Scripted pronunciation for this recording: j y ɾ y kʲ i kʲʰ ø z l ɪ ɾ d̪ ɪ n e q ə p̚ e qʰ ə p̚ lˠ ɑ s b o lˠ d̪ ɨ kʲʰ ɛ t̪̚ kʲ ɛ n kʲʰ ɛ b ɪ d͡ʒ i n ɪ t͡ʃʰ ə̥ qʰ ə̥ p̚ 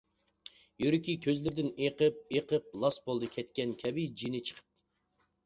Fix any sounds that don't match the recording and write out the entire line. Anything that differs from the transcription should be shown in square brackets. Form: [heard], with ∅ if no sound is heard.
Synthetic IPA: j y ɾ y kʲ i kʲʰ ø z l ɪ ɾ d̪ ɪ n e q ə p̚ e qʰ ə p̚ lˠ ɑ s b o lˠ d̪ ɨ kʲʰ ɛ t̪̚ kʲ ɛ n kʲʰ ɛ b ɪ d͡ʒ i n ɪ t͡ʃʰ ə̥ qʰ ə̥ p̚